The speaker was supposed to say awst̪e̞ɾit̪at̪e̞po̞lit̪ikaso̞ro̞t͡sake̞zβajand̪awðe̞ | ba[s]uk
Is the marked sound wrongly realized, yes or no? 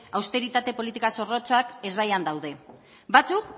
yes